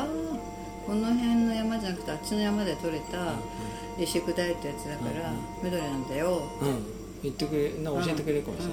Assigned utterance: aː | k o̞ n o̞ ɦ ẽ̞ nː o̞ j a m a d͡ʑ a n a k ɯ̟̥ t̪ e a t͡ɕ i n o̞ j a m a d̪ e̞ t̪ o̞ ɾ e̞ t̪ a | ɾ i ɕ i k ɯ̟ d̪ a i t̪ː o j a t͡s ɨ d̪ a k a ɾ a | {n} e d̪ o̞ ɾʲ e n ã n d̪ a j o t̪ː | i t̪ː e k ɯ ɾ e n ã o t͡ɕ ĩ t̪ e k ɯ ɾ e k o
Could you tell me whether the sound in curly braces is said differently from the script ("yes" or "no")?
yes